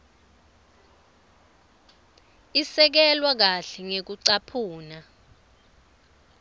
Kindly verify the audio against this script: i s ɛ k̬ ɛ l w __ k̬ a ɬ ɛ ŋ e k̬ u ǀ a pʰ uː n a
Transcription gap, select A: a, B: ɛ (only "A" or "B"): A